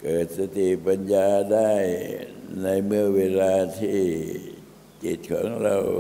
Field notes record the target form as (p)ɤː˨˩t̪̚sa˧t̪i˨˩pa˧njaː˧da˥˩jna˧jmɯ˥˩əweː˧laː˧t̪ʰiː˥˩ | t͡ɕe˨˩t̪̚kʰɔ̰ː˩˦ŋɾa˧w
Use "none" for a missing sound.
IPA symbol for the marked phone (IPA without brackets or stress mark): k